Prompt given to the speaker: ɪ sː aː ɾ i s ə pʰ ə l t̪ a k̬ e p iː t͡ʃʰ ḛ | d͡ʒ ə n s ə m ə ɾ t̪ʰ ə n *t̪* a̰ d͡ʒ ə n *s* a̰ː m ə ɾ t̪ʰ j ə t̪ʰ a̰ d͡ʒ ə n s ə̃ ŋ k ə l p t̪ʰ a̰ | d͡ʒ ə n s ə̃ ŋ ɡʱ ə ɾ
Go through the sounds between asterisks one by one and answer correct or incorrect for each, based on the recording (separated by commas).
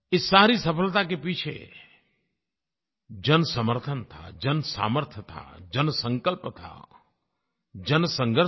incorrect, correct